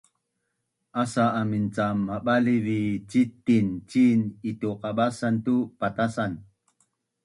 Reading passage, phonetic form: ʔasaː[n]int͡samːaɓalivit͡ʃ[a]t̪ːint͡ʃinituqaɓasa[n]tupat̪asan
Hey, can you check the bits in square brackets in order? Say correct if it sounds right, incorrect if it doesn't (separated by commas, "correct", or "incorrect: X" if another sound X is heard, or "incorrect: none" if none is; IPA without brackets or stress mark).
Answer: incorrect: m, incorrect: i, correct